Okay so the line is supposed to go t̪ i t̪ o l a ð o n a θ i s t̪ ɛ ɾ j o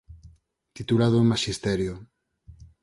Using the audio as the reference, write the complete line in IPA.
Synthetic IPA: t̪ i t̪ u l a ð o m a ʃ i s t̪ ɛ ɾ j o